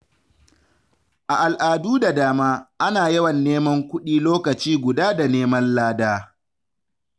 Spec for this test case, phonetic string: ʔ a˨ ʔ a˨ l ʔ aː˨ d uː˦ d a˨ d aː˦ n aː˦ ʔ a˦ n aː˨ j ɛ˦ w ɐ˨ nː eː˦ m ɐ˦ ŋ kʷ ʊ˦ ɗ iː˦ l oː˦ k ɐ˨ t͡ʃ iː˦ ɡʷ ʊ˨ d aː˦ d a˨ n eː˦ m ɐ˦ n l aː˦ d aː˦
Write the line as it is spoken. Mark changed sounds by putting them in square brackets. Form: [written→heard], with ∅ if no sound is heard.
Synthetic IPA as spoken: ʔ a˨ ʔ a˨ l ʔ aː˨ d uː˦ d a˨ d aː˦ [n→m] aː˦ ʔ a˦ n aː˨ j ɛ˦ w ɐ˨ nː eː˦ m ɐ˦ ŋ kʷ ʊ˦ ɗ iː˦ l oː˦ k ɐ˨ t͡ʃ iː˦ ɡʷ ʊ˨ d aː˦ d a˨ n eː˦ m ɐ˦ n l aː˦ d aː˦